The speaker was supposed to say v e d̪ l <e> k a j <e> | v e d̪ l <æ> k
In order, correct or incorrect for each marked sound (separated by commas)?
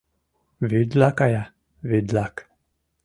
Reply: incorrect, incorrect, incorrect